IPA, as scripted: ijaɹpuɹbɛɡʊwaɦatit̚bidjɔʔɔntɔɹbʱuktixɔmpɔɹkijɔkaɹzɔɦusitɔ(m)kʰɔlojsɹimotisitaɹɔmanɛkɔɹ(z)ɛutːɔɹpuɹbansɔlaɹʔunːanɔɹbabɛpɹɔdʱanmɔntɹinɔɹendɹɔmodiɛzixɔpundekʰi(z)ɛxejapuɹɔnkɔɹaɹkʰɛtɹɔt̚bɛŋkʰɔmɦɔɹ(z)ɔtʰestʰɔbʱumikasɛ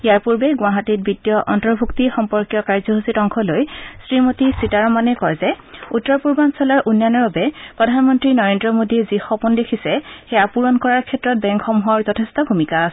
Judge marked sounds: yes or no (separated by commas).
no, yes, no, yes